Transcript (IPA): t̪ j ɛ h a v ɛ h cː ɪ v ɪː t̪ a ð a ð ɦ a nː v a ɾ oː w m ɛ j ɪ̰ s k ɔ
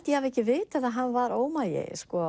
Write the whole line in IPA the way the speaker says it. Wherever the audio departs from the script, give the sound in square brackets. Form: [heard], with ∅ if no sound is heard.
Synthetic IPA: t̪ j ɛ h a v ɛ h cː ɪ v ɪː t̪ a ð a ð ɦ a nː v a ɾ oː w m [a] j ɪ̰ s k ɔ

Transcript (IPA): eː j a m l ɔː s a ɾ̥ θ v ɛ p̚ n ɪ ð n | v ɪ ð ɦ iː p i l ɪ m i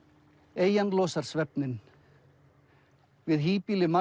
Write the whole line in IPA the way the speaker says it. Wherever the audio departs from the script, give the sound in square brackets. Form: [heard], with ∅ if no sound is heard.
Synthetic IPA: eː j a [n] l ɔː s a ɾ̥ [s] v ɛ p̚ n ɪ [∅] n | v ɪ ð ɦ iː p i l ɪ m [a]

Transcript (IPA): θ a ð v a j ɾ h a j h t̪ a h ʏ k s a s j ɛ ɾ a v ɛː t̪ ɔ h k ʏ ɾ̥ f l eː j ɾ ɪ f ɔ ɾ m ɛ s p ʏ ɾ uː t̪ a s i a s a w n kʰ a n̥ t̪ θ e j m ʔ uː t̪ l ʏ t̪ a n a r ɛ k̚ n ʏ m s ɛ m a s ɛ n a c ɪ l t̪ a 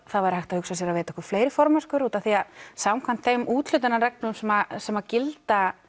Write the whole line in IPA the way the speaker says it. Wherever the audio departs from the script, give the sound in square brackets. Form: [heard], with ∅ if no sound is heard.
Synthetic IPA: θ a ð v a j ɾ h a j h t̪ a h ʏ k s a s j ɛ ɾ a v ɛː t̪ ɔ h k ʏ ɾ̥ f l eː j ɾ ɪ f ɔ ɾ m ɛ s [k] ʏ ɾ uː t̪ a [θ] i a s a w [m] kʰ a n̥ t̪ θ e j m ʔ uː t̪ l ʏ t̪ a n a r ɛ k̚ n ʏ m s ɛ m a s ɛ [m] a c ɪ l t̪ a

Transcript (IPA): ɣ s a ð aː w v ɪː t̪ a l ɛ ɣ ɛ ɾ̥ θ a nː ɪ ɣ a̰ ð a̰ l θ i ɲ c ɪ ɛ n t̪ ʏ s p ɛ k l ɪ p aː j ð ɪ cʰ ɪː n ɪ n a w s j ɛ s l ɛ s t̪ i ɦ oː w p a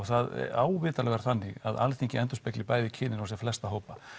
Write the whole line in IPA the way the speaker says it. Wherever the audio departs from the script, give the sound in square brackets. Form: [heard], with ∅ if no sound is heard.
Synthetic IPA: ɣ [θ] a ð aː w v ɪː t̪ a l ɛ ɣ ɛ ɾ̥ θ a nː ɪ ɣ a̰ ð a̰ l θ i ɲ c ɪ ɛ n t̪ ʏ s p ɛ k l ɪ p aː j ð ɪ cʰ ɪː n ɪ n a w s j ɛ [f] l ɛ s t̪ [a] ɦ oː w p a

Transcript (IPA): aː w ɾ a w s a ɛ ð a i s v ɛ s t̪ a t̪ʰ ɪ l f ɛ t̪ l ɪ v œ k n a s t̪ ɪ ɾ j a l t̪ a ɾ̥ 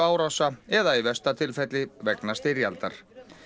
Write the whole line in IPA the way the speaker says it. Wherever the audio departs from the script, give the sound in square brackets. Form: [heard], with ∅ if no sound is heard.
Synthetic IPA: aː w ɾ a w s a ɛ ð a i [∅] v ɛ s t̪ a t̪ʰ ɪ l f ɛ t̪ l ɪ v [ɛ] k n a s t̪ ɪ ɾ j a l t̪ a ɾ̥

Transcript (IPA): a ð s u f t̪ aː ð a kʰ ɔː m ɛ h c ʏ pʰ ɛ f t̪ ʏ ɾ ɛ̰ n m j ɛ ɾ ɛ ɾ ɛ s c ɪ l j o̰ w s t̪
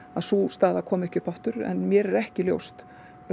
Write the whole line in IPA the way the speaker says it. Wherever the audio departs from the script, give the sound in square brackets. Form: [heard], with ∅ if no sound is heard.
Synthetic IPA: a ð s u [s] t̪ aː ð a kʰ ɔː m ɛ h c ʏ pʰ [a] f t̪ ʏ ɾ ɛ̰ n m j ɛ ɾ ɛ ɾ ɛ [h] c ɪ l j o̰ w s t̪

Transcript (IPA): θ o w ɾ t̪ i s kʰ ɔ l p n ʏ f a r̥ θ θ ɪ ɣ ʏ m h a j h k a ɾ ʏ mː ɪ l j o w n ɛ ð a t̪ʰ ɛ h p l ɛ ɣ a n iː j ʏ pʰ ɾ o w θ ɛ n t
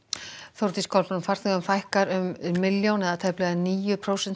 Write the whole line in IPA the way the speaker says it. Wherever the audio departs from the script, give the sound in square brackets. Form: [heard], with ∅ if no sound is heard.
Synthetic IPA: θ o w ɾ t̪ i s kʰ ɔ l p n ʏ f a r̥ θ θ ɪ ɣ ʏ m [f] a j h k a ɾ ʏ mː ɪ l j o w n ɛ ð a t̪ʰ ɛ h p l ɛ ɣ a n iː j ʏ pʰ ɾ o w [s] ɛ n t

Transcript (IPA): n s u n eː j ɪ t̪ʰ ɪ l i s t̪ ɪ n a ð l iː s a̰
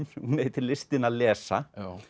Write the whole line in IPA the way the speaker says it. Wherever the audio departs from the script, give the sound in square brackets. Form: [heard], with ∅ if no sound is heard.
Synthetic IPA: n [h] u n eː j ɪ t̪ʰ ɪ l [ɪ] s t̪ ɪ n a ð l [ɛː] s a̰

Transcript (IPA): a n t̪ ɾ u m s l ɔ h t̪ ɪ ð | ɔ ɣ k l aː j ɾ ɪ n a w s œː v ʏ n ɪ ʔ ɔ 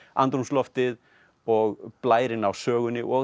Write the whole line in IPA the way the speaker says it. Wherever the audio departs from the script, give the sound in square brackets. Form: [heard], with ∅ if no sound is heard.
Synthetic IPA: a n t̪ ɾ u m s l ɔ [f] t̪ ɪ ð | ɔ ɣ [p] l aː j ɾ ɪ n a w s œː [ɣ] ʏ n ɪ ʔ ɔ

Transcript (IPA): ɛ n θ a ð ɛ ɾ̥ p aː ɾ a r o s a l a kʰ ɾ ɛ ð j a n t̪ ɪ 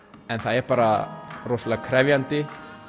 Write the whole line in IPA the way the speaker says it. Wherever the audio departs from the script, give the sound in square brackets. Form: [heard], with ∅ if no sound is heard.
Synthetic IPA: ɛ n θ a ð ɛ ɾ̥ p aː ɾ a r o s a l a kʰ ɾ ɛ [v] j a n t̪ ɪ

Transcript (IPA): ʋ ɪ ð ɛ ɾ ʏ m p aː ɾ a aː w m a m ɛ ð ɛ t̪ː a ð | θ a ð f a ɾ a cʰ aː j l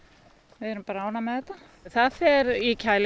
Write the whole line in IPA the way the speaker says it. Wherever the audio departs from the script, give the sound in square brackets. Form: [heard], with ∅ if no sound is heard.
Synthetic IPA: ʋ ɪ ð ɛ ɾ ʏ m p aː ɾ a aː w [n] a m ɛ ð ɛ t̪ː a [∅] | θ a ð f [ɛ] ɾ [i] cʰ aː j l

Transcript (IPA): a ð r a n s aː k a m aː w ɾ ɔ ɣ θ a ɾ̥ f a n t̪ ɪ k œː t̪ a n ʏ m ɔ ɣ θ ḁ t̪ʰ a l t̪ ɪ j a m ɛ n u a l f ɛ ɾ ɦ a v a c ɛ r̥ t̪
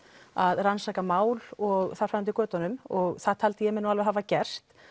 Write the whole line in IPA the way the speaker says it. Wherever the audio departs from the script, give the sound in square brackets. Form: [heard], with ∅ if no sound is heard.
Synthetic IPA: a ð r a n s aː k a m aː w [l] ɔ ɣ θ a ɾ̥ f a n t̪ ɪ k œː t̪ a n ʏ m ɔ ɣ θ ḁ t̪ʰ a l t̪ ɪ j [ɛ] m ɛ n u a l [v] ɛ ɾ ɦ a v a c ɛ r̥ t̪

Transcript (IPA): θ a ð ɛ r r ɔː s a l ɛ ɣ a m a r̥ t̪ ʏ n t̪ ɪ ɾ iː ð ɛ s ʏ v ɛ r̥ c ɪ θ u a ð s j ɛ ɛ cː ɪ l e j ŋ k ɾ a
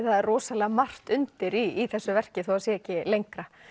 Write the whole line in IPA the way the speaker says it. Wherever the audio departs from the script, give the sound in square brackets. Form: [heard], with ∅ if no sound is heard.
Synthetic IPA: θ a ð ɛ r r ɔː s a l ɛ ɣ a m a r̥ t̪ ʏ n t̪ ɪ ɾ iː [θ] ɛ [sː] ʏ v ɛ r̥ c ɪ θ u a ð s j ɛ ɛ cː ɪ l e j ŋ k ɾ a

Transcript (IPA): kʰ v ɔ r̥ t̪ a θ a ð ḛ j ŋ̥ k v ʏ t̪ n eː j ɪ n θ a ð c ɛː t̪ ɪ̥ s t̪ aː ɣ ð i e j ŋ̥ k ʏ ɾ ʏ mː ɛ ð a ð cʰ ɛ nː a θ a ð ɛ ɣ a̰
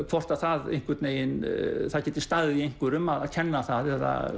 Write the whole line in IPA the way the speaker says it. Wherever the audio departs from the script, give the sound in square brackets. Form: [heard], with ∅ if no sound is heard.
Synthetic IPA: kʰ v ɔ r̥ t̪ a θ a ð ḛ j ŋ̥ k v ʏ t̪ n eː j ɪ n θ a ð c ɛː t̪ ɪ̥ s t̪ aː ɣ ð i e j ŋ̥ k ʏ ɾ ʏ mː [a] ð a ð cʰ ɛ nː a θ a ð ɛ [ð] a̰

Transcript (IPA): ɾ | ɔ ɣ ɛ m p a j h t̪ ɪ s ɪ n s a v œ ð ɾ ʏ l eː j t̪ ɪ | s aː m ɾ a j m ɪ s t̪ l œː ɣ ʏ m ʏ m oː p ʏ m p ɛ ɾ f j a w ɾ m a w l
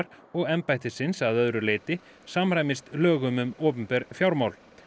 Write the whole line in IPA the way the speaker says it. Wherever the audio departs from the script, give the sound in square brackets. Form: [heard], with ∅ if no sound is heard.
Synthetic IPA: ɾ | ɔ ɣ ɛ m p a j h t̪ ɪ s ɪ n s a [ð] œ ð ɾ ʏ l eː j t̪ ɪ | s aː m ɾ a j m ɪ s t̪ l œː ɣ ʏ m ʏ m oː p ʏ m p ɛ ɾ f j a w ɾ m a w l

